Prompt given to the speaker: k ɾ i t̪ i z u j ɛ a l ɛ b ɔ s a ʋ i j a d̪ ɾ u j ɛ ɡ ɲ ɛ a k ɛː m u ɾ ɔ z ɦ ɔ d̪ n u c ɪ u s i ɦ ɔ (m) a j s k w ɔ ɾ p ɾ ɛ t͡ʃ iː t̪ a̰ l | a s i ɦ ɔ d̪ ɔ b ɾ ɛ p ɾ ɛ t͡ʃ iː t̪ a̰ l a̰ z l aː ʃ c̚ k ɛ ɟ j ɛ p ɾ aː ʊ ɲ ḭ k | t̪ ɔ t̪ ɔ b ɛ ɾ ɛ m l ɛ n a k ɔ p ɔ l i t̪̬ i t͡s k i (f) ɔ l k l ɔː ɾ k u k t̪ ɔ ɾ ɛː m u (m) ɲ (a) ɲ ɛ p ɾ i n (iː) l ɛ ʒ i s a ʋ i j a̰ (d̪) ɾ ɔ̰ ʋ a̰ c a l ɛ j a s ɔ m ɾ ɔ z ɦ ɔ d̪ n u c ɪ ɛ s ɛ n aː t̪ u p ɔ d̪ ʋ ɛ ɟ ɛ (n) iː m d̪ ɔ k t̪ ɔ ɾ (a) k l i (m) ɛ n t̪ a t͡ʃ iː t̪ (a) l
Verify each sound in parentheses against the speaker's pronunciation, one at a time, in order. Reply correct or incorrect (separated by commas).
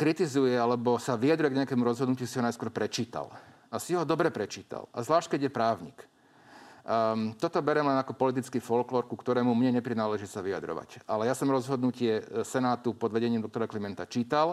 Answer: incorrect, correct, correct, incorrect, incorrect, correct, incorrect, correct, correct, correct